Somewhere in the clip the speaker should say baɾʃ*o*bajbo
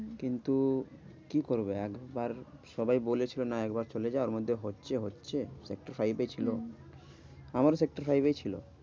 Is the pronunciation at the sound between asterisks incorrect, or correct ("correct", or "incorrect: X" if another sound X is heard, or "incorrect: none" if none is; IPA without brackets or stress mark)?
incorrect: ɔ